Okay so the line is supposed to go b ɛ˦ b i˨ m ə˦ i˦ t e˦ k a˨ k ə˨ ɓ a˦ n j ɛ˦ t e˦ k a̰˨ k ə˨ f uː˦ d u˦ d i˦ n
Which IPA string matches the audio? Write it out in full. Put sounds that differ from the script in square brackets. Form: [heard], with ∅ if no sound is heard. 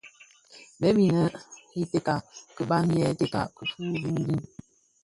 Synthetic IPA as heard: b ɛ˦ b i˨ [n] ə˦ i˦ t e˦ k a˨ k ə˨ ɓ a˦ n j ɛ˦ t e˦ k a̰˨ k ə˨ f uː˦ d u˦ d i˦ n